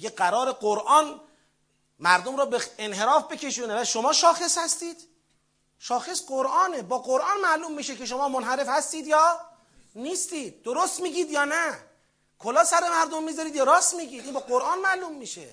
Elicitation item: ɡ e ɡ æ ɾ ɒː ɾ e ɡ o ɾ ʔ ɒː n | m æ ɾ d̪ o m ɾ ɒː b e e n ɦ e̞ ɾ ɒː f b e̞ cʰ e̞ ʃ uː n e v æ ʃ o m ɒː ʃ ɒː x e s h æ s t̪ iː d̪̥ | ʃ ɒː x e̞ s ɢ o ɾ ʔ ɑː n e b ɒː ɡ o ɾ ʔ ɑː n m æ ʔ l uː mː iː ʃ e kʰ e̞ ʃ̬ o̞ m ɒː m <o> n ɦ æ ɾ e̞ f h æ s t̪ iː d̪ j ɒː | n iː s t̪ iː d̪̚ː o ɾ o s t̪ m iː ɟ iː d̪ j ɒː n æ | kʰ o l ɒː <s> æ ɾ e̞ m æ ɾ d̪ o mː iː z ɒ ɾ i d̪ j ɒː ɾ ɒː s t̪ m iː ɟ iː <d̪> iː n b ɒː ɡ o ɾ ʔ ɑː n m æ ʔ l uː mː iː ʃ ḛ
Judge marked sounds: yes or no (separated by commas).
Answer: yes, yes, yes